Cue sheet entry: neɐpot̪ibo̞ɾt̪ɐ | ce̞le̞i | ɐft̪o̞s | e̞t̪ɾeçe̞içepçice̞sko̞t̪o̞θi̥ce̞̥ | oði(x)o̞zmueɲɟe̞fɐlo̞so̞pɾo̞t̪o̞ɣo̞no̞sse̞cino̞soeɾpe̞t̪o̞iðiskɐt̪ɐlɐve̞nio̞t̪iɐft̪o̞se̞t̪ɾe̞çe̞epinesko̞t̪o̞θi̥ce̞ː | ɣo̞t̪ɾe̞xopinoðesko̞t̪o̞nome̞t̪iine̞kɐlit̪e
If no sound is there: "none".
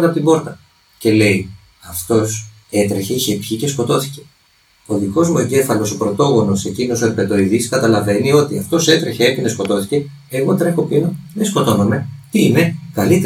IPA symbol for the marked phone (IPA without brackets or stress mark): k